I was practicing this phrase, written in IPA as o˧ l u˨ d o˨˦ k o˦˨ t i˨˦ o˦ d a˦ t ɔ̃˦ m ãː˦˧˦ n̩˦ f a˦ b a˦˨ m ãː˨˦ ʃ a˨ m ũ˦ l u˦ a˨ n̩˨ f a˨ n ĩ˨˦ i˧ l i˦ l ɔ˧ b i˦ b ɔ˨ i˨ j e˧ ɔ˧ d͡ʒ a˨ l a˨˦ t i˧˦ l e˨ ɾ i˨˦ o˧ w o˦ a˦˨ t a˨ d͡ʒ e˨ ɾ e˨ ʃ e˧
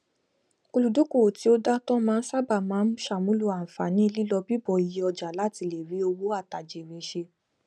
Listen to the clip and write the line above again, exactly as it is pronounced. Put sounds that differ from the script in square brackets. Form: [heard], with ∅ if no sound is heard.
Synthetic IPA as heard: o˧ l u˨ d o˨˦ k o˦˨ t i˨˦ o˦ d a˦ t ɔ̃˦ m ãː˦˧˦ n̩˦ [s] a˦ b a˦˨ m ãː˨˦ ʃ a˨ m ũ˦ l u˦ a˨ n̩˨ f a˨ n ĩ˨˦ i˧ l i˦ l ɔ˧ b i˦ b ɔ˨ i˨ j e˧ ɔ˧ d͡ʒ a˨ l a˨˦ t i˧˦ l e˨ ɾ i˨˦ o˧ w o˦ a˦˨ t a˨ d͡ʒ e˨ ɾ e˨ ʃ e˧

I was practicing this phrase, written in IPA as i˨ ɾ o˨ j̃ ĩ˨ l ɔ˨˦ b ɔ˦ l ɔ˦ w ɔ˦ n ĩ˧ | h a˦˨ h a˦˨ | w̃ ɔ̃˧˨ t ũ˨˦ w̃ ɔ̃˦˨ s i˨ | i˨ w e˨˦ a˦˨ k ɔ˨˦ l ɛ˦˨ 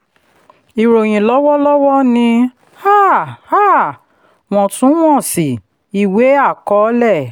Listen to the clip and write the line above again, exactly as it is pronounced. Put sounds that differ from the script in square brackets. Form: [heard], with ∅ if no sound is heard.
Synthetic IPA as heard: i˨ ɾ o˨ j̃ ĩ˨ l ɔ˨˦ [w] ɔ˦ l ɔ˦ w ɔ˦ n ĩ˧ | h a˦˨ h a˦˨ | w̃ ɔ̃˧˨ t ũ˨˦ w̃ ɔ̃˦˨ s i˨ | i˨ w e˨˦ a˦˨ k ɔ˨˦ l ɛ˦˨

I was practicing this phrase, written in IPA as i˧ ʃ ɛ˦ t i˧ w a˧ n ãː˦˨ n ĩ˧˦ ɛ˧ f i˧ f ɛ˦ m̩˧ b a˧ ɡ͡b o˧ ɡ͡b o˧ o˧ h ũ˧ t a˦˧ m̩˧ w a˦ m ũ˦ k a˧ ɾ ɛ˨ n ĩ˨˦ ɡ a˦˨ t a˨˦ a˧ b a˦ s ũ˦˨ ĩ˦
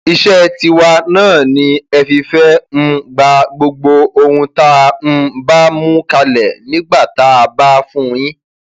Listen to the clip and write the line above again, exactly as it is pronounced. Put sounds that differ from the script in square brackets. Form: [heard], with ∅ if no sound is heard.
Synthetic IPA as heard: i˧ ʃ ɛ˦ t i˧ w a˧ n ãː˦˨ n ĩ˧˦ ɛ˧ f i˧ f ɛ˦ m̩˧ [ɡ͡b] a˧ ɡ͡b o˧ ɡ͡b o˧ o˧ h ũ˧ t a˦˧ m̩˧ [b] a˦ m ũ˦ k a˧ [l] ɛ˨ n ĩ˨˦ [ɡ͡b] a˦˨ t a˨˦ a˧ b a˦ [f] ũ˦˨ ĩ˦

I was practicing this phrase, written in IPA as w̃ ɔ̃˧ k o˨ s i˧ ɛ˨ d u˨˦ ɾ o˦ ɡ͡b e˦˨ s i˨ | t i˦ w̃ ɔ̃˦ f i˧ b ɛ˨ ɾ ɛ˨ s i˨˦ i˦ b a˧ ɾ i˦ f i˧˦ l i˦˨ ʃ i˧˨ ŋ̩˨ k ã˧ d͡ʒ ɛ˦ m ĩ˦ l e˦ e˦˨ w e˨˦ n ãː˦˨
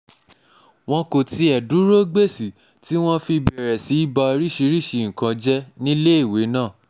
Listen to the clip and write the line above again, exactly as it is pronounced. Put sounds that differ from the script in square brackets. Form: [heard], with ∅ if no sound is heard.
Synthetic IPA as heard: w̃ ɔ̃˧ k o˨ [t] i˧ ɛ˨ d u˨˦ ɾ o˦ ɡ͡b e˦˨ s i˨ | t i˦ w̃ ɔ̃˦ f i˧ b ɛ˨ ɾ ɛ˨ s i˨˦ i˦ b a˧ ɾ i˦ [ʃ] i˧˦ [ɾ] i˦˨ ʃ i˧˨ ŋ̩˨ k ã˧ d͡ʒ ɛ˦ [n] ĩ˦ l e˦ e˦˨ w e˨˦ n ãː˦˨

